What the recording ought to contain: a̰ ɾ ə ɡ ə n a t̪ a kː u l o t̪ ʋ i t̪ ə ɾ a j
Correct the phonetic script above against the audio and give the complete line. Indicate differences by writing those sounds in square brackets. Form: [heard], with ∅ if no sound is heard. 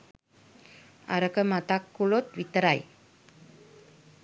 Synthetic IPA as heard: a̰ ɾ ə [k] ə [m] a t̪ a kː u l o t̪ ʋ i t̪ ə ɾ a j